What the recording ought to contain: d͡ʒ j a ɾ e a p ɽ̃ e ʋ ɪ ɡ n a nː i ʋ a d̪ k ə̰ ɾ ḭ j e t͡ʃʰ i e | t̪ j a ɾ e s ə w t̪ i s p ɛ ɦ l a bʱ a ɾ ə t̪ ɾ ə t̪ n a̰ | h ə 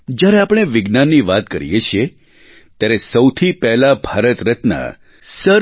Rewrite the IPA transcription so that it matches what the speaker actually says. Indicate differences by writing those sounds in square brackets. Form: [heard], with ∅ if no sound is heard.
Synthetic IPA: d͡ʒ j a ɾ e a p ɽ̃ e ʋ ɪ ɡ n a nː i ʋ a [t̪] k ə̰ ɾ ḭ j e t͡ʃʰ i e | t̪ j a ɾ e s ə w [t̪ʰ] i [∅] p ɛ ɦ l a bʱ a ɾ ə t̪ ɾ ə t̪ n a̰ | [s] ə